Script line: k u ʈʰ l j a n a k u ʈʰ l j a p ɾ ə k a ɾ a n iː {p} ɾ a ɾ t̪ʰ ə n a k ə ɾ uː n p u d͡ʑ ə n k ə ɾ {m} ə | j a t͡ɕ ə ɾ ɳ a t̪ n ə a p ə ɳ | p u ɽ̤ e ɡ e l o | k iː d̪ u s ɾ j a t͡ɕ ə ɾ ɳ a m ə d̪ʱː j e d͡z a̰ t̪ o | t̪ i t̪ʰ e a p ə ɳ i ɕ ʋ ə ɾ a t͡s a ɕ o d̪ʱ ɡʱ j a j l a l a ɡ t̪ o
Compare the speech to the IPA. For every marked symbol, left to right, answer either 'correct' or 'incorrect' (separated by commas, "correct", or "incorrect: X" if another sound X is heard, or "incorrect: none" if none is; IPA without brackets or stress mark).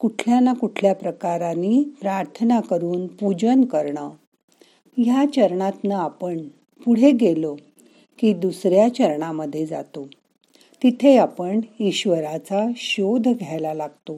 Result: correct, incorrect: ɳ